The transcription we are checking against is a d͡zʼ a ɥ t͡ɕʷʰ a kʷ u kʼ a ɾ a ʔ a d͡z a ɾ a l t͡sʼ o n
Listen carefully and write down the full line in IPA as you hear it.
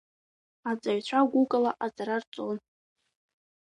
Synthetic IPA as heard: a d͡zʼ a ɥ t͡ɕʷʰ a ɡʷ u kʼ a l a ʔ a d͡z a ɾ a r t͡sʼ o n